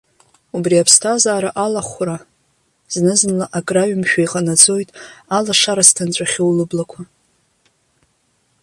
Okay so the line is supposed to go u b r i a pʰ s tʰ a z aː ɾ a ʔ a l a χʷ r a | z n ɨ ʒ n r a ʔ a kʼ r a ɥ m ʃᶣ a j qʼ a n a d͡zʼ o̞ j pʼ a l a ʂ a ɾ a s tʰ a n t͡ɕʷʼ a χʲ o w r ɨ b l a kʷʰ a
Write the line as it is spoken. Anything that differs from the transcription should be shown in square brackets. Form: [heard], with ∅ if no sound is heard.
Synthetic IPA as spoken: u b r i a pʰ s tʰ a z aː ɾ a ʔ a l a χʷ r a | z n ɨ [z] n [l] a ʔ a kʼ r a ɥ m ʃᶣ a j qʼ a n a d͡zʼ o̞ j [tʼ] a l a ʂ a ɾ a s tʰ a n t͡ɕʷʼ a χʲ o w [l] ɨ b l a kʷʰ a